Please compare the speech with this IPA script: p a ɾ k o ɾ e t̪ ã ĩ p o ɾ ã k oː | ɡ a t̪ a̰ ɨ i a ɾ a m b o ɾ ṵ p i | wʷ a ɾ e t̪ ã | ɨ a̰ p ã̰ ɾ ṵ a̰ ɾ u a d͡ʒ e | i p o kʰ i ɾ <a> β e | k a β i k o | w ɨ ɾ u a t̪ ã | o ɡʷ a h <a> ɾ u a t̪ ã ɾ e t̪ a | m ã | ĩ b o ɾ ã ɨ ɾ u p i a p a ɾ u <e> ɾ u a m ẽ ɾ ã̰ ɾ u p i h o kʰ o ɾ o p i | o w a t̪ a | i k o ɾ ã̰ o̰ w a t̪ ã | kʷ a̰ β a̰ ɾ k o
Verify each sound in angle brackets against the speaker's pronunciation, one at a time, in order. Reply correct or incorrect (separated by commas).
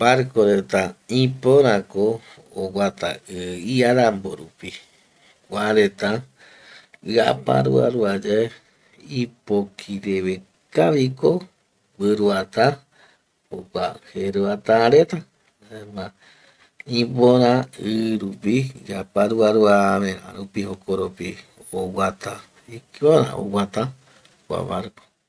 incorrect, incorrect, incorrect